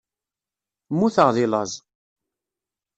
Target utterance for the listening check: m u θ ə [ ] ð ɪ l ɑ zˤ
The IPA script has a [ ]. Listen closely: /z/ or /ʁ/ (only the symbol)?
ʁ